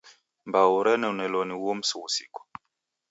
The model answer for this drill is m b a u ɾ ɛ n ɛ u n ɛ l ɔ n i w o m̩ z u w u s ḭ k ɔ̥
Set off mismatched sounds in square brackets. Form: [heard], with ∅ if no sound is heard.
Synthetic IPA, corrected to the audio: m b a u ɾ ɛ n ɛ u n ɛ l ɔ n i w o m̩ [s] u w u s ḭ k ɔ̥